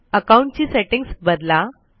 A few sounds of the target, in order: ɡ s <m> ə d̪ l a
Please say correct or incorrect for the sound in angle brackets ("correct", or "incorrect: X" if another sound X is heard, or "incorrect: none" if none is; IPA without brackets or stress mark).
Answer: incorrect: b